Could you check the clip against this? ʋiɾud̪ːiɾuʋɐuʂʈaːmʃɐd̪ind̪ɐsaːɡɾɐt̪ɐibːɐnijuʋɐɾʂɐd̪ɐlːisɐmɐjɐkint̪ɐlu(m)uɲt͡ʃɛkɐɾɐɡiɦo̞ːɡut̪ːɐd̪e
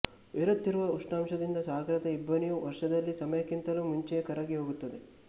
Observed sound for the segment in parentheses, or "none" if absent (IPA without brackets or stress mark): m